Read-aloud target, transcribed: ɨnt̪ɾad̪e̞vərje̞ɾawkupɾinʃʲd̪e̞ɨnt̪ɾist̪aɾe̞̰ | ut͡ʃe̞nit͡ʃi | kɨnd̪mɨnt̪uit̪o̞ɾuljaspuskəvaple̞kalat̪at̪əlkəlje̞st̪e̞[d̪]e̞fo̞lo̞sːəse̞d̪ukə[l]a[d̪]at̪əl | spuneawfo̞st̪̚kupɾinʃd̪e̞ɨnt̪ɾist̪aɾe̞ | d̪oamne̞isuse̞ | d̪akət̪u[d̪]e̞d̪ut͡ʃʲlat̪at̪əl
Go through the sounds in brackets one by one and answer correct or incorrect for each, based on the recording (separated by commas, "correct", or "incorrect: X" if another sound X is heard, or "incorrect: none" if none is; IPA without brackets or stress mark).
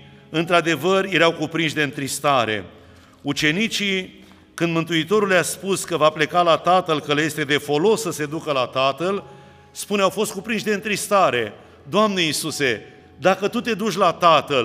correct, correct, incorrect: t̪, incorrect: t̪